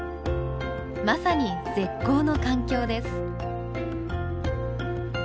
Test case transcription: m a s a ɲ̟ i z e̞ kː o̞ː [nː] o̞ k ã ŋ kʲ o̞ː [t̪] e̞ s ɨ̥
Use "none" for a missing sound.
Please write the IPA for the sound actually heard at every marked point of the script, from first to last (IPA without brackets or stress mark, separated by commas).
n, d̪